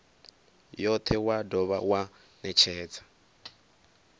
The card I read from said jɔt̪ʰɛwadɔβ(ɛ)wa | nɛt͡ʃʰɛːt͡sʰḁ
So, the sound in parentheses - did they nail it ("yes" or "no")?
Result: no